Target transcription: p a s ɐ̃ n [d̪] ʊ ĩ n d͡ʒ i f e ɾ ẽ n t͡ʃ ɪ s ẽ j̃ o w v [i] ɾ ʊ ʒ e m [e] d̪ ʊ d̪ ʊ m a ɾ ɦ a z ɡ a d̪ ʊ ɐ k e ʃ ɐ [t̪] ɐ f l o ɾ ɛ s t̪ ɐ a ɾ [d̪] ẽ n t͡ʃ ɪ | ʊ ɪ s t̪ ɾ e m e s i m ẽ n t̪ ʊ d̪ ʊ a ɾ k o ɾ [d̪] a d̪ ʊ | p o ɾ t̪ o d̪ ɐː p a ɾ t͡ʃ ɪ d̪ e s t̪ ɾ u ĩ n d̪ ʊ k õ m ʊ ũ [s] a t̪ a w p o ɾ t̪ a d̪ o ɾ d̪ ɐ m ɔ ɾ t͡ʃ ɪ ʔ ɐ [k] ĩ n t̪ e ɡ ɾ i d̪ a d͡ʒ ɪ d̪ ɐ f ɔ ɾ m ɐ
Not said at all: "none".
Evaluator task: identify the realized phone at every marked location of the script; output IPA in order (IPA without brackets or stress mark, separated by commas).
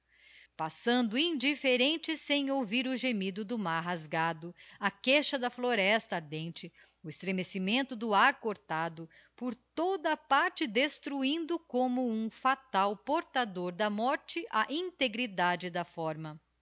d̪, i, i, d̪, d̪, t̪, f, ʔ